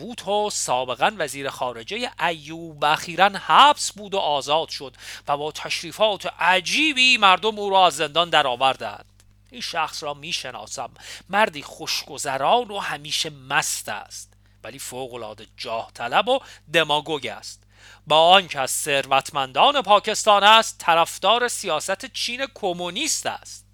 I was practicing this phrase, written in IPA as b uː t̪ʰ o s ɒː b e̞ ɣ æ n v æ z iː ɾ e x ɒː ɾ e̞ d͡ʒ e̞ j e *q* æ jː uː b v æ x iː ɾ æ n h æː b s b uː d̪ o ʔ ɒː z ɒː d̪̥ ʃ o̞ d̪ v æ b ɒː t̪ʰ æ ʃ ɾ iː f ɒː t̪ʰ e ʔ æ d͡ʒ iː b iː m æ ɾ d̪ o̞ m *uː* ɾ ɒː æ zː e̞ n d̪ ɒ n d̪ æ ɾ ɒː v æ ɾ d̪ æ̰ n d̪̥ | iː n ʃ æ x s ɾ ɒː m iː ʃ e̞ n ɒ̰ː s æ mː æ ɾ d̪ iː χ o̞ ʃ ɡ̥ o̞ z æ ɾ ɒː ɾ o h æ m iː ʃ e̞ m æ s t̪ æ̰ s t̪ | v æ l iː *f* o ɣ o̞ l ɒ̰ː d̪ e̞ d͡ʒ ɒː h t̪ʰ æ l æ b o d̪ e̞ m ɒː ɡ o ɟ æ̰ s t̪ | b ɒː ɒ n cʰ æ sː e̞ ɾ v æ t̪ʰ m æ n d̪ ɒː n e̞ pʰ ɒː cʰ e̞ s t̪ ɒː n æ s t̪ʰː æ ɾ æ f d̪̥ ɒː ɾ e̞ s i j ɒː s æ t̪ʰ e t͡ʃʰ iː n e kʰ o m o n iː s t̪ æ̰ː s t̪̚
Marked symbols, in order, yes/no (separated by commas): no, yes, yes